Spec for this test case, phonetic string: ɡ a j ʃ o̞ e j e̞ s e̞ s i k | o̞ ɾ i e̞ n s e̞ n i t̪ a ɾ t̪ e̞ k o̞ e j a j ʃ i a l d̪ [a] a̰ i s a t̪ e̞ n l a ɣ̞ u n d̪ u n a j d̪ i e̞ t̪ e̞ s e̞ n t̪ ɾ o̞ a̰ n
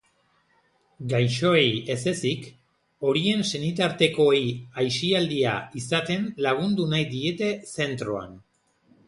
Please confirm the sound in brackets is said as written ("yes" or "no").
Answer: no